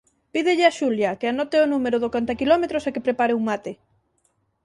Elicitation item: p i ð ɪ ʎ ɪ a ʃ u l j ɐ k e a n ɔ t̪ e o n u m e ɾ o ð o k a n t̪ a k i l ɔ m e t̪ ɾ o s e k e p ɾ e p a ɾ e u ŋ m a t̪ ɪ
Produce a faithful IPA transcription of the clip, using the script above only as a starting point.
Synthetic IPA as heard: p i ð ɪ ʎ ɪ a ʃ u l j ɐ k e a n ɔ t̪ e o n u m e ɾ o ð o k a n t̪ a k i l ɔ m e t̪ ɾ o s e k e p ɾ e p a ɾ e u ŋ m a t̪ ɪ